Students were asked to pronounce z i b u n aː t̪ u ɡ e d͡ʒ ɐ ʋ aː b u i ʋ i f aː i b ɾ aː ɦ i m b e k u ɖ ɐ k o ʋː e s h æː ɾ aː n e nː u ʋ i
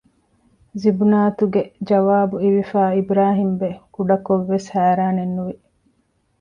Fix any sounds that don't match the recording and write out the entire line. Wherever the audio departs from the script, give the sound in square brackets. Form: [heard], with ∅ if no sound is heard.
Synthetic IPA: z i b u n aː t̪ u ɡ e d͡ʒ ɐ ʋ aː b u i ʋ i f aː i b ɾ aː ɦ i m b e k u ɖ ɐ k o ʋː e s h æː ɾ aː n e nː u ʋ i